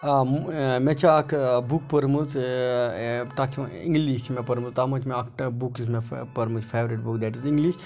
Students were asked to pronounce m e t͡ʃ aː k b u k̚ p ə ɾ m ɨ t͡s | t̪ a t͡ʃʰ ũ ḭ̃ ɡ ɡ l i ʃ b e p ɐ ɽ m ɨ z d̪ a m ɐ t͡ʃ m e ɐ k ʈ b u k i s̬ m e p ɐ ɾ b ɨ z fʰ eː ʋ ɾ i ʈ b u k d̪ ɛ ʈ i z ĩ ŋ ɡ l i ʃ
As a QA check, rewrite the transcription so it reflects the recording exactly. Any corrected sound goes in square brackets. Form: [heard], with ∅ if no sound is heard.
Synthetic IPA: m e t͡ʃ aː k b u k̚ p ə ɾ m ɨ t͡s | t̪ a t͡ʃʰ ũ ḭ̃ [ŋ] ɡ l i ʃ [m] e p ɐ [ɾ] m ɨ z [t̪] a m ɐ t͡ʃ m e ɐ k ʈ b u k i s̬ m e p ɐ ɾ [m] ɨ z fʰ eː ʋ ɾ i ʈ b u k d̪ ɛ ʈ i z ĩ ŋ ɡ l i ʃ